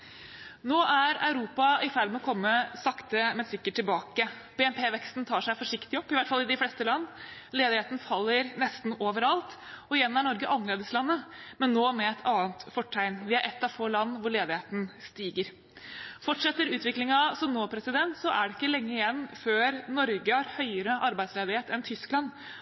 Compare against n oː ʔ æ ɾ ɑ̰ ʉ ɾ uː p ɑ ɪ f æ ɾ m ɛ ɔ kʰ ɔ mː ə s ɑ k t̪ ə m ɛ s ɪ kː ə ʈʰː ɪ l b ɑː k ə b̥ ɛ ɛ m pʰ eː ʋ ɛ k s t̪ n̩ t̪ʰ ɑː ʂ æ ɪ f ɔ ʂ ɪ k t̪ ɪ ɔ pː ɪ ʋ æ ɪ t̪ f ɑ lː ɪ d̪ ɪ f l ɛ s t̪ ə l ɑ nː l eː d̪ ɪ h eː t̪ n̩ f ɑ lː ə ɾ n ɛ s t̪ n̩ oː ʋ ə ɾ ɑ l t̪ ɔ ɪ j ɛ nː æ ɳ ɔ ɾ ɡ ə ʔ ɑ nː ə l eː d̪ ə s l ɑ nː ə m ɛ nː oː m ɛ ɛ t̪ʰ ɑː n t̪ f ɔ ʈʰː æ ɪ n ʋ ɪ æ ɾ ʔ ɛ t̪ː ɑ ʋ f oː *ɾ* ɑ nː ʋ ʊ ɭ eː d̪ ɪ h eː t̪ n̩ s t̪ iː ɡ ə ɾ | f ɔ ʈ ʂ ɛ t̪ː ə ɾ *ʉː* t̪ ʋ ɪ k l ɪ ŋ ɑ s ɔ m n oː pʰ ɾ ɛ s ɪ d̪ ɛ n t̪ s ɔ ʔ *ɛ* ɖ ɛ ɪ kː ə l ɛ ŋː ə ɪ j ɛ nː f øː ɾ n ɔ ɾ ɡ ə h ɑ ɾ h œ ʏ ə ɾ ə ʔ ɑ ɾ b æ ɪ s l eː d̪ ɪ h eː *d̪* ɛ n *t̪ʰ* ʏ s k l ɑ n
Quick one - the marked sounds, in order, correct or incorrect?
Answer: incorrect, correct, incorrect, incorrect, correct

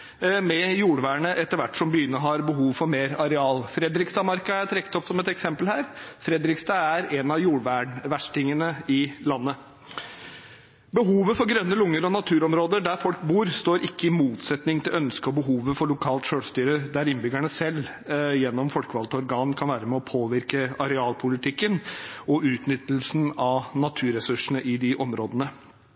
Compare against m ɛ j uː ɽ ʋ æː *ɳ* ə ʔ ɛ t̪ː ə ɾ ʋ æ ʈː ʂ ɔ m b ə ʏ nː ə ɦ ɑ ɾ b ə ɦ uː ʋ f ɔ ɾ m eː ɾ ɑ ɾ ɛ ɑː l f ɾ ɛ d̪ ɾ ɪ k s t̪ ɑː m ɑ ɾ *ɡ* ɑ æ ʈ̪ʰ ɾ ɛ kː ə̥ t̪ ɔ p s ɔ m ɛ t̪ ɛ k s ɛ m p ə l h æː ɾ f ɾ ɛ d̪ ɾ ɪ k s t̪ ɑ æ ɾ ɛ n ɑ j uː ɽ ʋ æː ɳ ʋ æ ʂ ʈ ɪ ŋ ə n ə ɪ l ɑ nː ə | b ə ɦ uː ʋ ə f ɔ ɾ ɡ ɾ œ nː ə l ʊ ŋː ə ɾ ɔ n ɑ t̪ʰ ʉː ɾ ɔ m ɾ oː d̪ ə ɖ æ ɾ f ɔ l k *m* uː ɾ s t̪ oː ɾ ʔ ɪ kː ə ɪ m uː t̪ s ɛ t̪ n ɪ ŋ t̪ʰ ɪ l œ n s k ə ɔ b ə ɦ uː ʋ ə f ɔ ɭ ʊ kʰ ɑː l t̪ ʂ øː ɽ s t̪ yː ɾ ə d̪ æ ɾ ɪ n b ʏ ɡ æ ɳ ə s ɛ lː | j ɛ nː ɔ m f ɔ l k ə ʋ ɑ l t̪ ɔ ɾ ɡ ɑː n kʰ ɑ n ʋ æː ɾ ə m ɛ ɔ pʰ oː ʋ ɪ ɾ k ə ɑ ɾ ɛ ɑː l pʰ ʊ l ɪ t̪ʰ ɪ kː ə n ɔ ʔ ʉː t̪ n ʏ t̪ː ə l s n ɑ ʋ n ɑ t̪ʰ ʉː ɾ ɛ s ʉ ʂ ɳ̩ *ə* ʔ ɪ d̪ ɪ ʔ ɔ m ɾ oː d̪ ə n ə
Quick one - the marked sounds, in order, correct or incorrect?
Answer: correct, incorrect, incorrect, correct

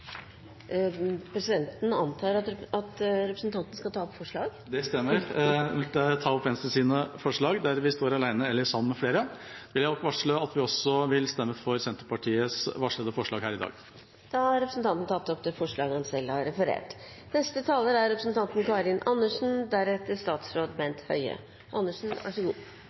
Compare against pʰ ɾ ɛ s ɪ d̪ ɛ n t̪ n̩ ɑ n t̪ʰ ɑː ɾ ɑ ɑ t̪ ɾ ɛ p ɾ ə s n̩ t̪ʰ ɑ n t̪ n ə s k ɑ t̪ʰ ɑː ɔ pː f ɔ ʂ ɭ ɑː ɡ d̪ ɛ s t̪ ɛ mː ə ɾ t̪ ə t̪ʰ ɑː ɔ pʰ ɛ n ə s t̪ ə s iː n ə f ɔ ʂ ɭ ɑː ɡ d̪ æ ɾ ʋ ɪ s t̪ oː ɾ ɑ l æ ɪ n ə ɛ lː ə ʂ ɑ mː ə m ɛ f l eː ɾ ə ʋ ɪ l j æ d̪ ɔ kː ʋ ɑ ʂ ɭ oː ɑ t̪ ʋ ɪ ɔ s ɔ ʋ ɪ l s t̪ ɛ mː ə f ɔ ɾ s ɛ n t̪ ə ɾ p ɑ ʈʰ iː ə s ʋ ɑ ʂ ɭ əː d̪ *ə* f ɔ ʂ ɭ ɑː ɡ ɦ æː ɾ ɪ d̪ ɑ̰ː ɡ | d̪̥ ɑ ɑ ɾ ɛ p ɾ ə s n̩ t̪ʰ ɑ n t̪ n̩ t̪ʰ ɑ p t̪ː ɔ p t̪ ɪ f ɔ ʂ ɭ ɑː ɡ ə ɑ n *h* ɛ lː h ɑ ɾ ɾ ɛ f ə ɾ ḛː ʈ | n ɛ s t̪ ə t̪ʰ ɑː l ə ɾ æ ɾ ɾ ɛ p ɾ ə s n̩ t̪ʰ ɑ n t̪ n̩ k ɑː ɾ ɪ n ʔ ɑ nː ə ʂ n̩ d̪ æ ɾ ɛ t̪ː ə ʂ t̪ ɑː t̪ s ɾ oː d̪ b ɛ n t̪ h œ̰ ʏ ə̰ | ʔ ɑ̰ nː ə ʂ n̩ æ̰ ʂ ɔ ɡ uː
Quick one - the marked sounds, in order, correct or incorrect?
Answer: correct, incorrect

